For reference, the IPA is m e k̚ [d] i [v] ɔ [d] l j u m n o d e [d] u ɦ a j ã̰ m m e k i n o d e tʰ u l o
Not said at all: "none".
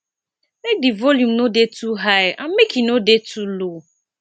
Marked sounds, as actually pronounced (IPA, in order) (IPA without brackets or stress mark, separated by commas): d, v, none, t